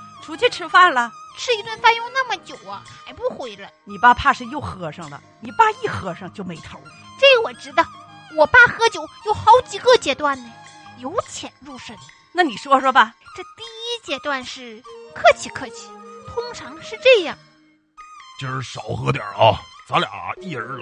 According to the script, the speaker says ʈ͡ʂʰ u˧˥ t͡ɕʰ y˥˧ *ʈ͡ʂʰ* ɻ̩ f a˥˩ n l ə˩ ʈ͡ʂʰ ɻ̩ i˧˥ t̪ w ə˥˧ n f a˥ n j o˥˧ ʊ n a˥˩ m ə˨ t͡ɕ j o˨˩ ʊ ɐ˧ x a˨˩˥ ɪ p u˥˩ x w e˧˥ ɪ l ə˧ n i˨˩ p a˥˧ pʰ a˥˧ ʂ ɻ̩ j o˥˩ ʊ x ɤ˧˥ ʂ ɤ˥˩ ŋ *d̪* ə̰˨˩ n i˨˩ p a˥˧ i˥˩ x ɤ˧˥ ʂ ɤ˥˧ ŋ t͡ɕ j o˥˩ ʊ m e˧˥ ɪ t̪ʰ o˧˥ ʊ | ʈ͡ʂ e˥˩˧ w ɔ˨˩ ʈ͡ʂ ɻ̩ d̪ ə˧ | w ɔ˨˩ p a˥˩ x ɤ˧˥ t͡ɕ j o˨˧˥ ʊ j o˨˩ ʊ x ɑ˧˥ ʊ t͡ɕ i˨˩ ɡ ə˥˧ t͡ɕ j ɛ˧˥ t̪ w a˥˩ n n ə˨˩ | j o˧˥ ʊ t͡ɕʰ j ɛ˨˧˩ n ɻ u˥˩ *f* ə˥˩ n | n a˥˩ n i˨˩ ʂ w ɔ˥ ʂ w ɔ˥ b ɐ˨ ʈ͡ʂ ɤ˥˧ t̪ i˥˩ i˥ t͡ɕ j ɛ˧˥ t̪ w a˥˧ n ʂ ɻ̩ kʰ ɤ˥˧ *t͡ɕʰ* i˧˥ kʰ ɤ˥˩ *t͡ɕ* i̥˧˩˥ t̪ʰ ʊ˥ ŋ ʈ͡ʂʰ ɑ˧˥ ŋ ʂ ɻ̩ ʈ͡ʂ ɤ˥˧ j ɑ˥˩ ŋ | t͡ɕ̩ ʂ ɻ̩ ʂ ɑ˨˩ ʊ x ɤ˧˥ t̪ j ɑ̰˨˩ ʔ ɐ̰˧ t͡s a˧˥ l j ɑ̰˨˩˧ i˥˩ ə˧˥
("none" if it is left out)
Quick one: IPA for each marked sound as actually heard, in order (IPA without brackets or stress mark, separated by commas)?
ʈ͡ʂʰ, d̪, ʂ, t͡ɕʰ, t͡ɕʰ